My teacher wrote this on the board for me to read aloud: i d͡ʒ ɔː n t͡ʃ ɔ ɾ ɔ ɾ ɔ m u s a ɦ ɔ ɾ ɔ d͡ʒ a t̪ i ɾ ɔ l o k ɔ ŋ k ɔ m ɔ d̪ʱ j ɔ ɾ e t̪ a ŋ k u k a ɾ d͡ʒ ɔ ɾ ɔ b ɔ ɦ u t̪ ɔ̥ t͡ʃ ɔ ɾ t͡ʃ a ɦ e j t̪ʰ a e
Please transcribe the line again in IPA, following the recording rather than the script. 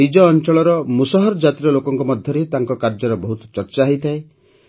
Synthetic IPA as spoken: i d͡ʒ ɔː n t͡ʃ ɔ ɭ ɔ ɾ ɔ m u s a ɦ ɔ ɾ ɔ d͡ʒ a t̪ i ɾ ɔ l o k ɔ ŋ k ɔ m ɔ d̪ʱ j ɔ ɾ e t̪ a ŋ k ɔ k a ɾ d͡ʒ ɔ ɾ ɔ b ɔ ɦ u t̪ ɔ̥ t͡ʃ ɔ ɾ t͡ʃ a ɦ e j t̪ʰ a e